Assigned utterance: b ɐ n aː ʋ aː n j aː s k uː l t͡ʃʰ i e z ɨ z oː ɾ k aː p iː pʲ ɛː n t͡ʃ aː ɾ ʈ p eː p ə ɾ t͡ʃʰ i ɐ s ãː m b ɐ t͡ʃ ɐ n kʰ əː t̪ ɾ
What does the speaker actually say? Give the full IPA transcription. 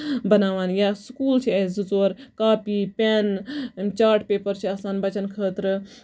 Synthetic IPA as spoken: b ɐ n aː ʋ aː n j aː s k uː l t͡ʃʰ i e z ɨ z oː ɾ k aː p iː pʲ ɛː n t͡ʃ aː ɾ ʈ p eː p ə ɾ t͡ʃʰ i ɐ s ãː n b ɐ t͡ʃ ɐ n kʰ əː t̪ ɾ